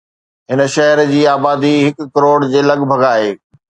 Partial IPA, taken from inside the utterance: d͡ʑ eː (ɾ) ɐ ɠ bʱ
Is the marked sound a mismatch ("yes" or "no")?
yes